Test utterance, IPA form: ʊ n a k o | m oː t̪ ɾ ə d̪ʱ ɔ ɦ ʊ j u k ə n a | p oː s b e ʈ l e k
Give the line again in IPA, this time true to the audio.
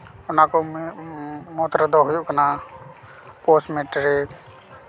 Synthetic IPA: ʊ n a k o | m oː t̪ ɾ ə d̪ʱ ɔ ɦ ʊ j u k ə n a | p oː s m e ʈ ɾ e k